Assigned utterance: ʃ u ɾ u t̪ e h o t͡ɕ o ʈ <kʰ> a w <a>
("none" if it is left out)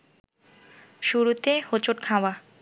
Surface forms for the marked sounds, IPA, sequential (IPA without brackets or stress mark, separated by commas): kʰ, a